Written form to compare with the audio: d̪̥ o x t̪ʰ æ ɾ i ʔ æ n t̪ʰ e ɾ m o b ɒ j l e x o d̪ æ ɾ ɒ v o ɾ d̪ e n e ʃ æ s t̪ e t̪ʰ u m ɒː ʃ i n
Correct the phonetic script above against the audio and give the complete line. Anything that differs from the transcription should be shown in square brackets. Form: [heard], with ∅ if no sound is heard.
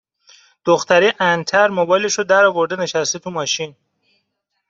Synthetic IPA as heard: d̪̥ o x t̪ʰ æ ɾ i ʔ æ n t̪ʰ [æ] ɾ m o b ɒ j l e [ʃ] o d̪ æ ɾ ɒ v o ɾ d̪ e n e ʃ æ s t̪ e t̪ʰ u m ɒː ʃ i n